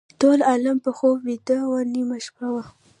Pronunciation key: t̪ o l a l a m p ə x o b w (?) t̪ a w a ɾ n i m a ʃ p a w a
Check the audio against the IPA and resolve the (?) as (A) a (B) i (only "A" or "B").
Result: B